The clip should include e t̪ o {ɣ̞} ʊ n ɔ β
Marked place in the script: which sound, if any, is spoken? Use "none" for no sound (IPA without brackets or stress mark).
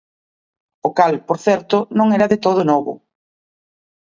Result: ð̞